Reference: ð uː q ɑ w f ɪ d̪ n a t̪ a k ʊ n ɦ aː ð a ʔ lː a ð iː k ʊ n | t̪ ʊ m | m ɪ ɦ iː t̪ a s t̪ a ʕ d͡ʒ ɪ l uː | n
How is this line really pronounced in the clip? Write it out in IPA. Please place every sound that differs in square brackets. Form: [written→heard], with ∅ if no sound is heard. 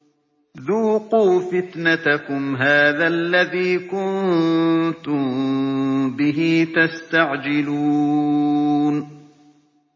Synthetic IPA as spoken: ð uː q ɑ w f ɪ [d̪→t̪] n a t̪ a k ʊ [n→m] ɦ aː ð a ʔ lː a ð iː k ʊ n | t̪ ʊ m | [m→b] ɪ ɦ iː t̪ a s t̪ a ʕ d͡ʒ ɪ l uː | n